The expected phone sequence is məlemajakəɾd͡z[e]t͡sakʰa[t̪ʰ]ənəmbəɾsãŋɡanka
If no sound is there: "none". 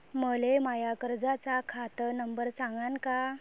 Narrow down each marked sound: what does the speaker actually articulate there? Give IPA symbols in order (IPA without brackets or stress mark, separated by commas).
a, t̪